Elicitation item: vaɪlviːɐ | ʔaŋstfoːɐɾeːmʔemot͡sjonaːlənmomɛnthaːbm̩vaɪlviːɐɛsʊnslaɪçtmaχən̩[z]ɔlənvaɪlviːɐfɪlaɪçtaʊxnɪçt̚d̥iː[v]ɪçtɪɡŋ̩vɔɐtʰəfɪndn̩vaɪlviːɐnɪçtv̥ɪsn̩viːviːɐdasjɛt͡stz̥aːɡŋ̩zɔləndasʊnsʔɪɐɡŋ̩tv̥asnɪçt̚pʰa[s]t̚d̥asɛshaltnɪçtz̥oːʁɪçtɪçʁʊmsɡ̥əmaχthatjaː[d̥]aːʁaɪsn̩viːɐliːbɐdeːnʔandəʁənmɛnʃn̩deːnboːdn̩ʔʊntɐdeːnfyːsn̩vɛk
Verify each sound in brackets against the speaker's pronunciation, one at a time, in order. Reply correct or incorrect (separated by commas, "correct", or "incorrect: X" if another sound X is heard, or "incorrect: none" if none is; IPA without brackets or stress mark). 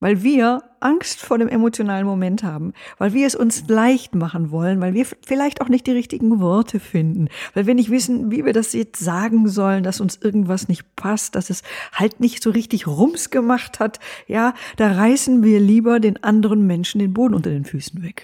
incorrect: v, incorrect: ʁ, correct, correct